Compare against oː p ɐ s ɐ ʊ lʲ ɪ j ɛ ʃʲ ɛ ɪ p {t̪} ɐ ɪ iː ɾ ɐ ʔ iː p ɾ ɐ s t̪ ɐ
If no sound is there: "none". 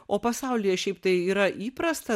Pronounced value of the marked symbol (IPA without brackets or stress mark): t̪